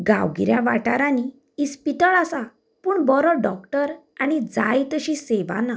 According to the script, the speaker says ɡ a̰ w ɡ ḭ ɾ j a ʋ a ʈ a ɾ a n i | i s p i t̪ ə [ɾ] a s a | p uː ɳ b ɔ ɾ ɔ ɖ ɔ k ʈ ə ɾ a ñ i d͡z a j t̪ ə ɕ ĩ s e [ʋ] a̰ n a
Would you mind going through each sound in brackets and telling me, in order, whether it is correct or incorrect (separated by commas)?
incorrect, correct